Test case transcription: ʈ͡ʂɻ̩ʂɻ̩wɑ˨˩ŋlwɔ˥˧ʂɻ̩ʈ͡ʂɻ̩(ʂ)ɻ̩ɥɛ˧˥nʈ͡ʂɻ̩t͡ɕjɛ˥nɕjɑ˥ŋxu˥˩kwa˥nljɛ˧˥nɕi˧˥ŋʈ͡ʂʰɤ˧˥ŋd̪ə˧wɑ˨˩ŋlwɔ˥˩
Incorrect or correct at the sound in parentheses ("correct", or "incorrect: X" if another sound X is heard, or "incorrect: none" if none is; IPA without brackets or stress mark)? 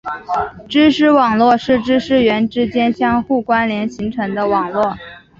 correct